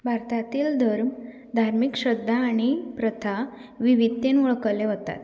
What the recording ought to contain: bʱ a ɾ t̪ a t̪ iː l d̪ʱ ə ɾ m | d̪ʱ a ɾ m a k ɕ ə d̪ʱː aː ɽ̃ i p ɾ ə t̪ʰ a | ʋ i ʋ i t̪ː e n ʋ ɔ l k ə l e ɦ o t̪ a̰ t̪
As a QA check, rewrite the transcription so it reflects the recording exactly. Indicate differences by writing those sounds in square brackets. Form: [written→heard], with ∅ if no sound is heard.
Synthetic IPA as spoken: bʱ a ɾ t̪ a t̪ iː l d̪ʱ ə ɾ m | d̪ʱ a ɾ m [a→i] k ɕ ə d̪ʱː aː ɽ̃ i p ɾ ə t̪ʰ a | ʋ i ʋ i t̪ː e n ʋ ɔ [l→ɭ] k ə l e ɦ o t̪ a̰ t̪